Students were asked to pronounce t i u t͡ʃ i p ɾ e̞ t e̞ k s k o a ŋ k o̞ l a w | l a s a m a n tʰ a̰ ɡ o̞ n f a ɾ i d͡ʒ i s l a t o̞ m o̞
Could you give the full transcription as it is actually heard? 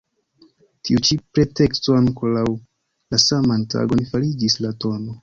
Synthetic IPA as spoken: t i u t͡ʃ i p ɾ e̞ t e̞ k s t o a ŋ k o̞ l a w | l a s a m a n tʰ a̰ ɡ o̞ n f a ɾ i d͡ʒ i s l a t o̞ n o̞